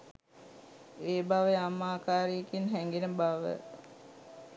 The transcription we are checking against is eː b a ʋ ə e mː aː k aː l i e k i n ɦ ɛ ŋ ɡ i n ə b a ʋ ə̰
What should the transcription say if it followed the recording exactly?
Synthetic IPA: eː b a ʋ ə a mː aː k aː ɾ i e k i n ɦ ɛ ŋ ɡ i n ə b a ʋ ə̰